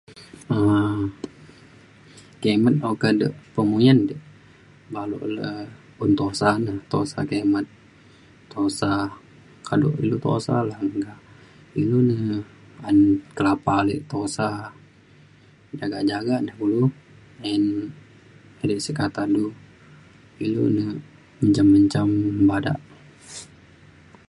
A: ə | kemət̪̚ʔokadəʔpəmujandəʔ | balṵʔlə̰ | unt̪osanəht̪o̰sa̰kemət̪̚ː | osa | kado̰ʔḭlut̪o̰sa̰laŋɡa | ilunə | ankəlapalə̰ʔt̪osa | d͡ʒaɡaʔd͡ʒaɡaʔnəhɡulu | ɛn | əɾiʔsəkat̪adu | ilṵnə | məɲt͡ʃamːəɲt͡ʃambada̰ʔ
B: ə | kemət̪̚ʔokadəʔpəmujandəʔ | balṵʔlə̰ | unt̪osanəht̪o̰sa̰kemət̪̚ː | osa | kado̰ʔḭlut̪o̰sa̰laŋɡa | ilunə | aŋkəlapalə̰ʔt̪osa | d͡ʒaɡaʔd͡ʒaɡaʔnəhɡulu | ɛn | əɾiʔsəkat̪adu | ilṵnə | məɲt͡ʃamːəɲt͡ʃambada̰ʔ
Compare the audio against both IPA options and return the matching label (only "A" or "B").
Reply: A